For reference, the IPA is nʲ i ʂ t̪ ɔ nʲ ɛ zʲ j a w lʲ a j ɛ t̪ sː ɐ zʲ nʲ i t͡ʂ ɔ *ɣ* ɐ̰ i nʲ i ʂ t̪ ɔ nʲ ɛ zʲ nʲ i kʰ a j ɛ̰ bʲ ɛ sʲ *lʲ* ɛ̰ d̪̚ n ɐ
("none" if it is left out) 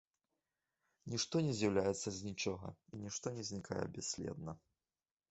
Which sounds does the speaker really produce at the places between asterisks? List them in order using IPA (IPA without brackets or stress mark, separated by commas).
ɣ, lʲ